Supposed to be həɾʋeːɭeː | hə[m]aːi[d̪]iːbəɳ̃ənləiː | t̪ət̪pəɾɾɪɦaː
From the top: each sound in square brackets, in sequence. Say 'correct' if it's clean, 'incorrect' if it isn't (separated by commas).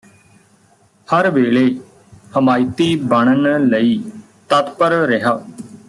correct, incorrect